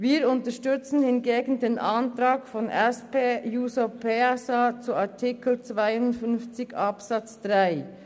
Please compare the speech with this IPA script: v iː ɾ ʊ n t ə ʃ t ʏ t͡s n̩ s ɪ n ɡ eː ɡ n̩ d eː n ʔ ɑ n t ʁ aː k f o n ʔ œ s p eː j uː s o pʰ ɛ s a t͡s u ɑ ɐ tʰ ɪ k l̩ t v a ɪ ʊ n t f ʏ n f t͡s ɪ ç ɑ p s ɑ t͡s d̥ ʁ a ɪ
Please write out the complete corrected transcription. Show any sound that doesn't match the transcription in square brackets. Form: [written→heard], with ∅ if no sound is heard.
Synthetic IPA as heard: v iː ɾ ʊ n t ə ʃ t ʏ t͡s n̩ [s→h] ɪ n ɡ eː ɡ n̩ d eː n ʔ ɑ n t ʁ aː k f [o→ɔ] n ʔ [œ→ɛ] s p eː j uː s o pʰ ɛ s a t͡s u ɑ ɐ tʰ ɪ k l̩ [t→t͡s] v a ɪ ʊ n t f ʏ n f t͡s ɪ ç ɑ p s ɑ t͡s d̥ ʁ a ɪ